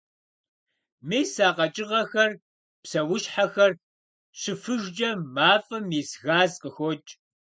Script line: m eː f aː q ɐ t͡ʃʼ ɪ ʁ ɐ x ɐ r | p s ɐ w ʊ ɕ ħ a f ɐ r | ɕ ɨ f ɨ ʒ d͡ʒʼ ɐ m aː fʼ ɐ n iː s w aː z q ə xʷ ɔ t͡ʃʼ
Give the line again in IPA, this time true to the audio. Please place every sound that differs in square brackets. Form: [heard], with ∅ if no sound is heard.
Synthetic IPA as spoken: m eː [s] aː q ɐ t͡ʃʼ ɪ ʁ ɐ x ɐ r | p s ɐ w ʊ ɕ ħ a [x] ɐ r | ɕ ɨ f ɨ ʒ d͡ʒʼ ɐ m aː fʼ ɐ [m] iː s [ɣ] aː z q ə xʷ ɔ t͡ʃʼ

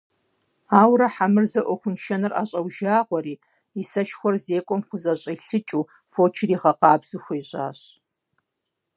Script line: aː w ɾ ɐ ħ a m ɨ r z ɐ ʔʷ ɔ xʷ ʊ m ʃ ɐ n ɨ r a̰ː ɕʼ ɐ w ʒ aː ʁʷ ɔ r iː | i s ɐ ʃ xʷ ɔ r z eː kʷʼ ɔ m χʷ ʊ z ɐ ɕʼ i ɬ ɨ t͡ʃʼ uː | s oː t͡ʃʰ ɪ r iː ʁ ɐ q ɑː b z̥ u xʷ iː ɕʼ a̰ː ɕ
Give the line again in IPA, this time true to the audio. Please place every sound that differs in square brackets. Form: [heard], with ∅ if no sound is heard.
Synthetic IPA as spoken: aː w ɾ ɐ ħ a m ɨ r z ɐ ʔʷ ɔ xʷ ʊ [n] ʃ ɐ n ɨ r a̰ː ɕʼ ɐ w ʒ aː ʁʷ ɔ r iː | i s ɐ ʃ xʷ ɔ r z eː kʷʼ ɔ m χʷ ʊ z ɐ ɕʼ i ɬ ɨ t͡ʃʼ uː | [f] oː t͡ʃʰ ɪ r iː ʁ ɐ q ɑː b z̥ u xʷ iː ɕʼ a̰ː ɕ

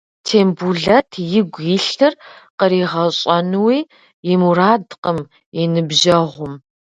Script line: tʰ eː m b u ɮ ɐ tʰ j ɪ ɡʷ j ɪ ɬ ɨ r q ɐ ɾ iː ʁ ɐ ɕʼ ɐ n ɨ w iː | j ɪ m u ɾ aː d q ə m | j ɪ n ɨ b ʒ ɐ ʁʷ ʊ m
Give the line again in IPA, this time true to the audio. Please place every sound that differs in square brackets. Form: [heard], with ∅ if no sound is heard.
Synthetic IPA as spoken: tʰ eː m b u ɮ ɐ tʰ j ɪ ɡʷ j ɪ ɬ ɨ r q [ə] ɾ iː ʁ ɐ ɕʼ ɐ n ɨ w iː | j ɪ m u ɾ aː d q ə m | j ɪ n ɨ b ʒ ɐ ʁʷ ʊ m

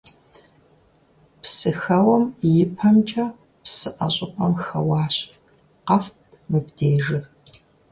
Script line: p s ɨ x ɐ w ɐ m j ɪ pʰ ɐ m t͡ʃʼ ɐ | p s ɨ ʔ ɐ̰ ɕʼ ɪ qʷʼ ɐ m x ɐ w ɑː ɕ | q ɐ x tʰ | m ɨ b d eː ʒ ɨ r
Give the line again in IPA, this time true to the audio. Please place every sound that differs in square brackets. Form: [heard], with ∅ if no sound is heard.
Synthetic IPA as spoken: p s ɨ x ɐ w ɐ m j ɪ pʰ ɐ m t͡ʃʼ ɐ | p s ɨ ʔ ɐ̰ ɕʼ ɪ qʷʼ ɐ m x ɐ w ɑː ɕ | q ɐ [f] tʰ | m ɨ b d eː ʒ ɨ r

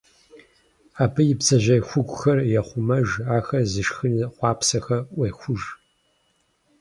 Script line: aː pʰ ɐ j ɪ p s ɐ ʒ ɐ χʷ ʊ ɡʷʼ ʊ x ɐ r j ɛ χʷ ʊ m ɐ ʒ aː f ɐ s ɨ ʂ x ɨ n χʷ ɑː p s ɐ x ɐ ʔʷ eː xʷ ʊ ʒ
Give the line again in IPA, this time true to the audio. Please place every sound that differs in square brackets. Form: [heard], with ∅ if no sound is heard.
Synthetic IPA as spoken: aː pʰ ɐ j ɪ p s ɐ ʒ ɐ [xʷ] ʊ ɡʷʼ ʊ x ɐ r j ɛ χʷ ʊ m ɐ ʒ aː [x] ɐ [z] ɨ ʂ x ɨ n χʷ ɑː p s ɐ x ɐ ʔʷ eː xʷ ʊ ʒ

